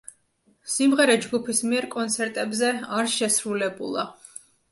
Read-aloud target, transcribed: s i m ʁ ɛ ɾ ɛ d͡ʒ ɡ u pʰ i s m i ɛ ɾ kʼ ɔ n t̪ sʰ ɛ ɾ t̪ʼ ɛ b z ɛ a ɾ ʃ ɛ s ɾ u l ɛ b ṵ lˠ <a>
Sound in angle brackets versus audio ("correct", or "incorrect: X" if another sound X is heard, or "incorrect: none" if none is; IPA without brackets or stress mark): correct